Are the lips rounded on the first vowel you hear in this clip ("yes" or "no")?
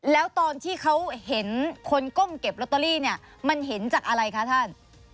no